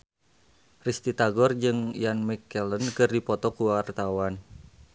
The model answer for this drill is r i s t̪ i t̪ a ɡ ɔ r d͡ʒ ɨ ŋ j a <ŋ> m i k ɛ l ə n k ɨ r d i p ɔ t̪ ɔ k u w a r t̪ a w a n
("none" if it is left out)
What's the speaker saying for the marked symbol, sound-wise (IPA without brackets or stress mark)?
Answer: n